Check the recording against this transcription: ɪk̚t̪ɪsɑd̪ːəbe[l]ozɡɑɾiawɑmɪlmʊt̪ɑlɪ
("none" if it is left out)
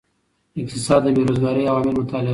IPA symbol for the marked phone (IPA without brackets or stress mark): ɾ